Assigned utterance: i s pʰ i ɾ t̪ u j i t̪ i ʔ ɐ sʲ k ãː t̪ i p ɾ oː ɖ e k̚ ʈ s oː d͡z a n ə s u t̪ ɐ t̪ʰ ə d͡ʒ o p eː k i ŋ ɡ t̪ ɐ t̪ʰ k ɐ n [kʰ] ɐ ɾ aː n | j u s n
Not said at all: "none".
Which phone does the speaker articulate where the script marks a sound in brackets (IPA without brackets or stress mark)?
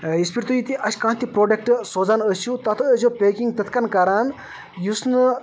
k